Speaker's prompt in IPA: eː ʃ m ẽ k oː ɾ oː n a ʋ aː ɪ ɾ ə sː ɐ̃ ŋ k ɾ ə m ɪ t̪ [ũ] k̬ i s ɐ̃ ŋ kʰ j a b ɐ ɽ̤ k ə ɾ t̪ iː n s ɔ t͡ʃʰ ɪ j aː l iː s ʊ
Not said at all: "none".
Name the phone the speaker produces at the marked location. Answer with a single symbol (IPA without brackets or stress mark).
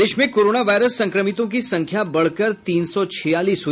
õ